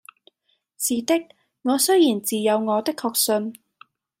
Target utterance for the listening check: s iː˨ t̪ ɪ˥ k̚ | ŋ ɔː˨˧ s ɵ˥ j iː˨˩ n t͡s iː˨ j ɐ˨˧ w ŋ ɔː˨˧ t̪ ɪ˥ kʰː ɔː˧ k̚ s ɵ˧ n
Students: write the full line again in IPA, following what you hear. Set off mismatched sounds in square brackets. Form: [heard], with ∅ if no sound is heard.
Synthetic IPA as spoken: s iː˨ t̪ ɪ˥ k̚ | ŋ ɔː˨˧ s ɵ˥ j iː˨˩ n t͡s iː˨ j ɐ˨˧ w ŋ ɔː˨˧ t̪ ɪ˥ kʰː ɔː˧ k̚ s ɵ˧ n